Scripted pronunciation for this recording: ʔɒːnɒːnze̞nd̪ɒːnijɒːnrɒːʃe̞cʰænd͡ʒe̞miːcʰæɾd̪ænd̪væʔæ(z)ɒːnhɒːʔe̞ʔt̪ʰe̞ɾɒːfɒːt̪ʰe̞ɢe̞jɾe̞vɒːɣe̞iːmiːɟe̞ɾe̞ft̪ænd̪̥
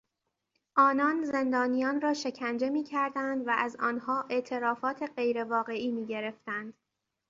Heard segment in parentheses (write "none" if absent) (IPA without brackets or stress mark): z